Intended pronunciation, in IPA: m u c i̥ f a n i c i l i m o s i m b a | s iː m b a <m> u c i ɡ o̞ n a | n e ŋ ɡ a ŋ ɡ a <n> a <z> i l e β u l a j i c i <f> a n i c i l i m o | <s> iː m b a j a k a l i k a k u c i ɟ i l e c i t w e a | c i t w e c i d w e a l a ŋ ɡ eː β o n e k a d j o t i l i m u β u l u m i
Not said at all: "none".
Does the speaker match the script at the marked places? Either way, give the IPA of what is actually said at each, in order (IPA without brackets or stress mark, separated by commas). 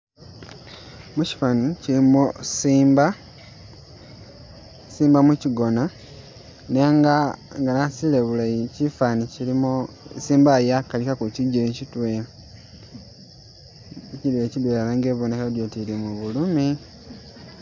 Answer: m, n, s, f, s